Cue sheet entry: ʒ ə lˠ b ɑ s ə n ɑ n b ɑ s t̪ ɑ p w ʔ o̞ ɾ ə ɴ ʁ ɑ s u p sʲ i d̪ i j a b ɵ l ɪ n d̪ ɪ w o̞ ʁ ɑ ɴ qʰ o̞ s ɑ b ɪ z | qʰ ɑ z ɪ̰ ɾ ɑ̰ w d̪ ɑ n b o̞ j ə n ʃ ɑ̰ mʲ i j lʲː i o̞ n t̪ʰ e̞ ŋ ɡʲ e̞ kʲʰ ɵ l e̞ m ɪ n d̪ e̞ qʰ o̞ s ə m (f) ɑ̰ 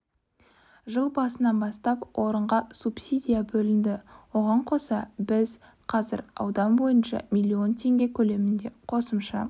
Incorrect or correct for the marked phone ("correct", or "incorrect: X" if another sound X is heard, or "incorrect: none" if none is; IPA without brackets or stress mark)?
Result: incorrect: ʃ